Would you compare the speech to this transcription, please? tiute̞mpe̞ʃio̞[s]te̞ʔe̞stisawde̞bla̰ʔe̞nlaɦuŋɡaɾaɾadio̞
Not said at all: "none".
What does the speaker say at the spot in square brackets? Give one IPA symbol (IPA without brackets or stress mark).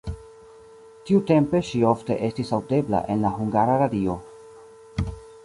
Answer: f